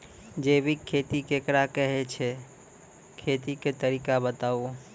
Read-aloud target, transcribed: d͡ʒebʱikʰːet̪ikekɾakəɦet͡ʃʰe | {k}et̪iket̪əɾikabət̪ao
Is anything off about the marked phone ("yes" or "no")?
yes